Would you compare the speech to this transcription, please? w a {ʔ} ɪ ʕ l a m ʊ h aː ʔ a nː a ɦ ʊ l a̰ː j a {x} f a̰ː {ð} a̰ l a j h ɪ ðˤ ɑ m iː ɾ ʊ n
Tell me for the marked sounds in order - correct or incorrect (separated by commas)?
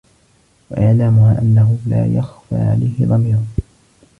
correct, correct, incorrect